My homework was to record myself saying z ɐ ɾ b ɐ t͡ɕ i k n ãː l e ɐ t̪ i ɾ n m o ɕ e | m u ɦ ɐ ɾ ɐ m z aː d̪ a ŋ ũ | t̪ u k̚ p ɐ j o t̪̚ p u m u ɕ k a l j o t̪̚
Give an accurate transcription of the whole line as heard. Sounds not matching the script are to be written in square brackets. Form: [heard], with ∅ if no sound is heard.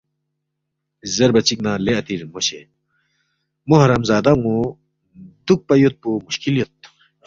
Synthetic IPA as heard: z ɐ ɾ b ɐ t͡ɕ i k n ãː l e ɐ t̪ i ɾ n m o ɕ e | m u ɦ ɐ ɾ ɐ m z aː d̪ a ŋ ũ | [d̪] u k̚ p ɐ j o t̪̚ p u m u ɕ k [i] l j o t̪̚